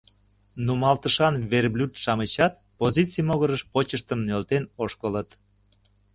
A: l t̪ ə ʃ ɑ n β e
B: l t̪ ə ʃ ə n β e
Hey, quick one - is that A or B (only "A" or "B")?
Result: A